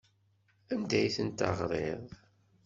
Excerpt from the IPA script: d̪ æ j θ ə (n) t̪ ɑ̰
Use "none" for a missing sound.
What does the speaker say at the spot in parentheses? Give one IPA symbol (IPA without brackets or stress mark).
n